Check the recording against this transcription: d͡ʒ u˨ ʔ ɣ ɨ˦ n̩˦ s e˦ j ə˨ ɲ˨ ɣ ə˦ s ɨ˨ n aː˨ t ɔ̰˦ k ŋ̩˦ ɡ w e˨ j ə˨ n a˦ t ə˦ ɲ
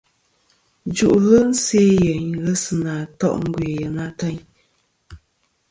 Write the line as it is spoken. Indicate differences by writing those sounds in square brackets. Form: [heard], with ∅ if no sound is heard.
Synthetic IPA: d͡ʒ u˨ ʔ ɣ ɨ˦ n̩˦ s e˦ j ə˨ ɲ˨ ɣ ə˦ s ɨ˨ n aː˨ t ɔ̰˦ [ʔ] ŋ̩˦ ɡ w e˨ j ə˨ n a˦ t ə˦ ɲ